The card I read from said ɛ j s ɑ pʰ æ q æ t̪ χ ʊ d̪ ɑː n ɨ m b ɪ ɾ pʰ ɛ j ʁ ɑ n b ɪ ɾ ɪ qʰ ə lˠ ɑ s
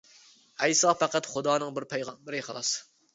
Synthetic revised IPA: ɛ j s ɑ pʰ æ q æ t̪ χ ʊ d̪ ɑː n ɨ ŋ b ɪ ɾ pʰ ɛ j ʁ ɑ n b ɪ ɾ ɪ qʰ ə lˠ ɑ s